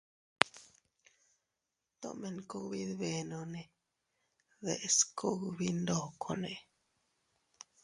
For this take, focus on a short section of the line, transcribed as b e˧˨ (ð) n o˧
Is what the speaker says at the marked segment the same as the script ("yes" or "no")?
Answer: no